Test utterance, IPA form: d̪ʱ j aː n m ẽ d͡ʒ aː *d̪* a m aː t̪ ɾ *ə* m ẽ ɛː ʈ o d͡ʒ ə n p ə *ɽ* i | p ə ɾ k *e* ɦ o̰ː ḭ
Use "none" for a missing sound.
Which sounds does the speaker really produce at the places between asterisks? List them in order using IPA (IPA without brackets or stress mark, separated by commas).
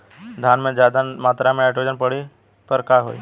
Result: d̪, a, ɽ, a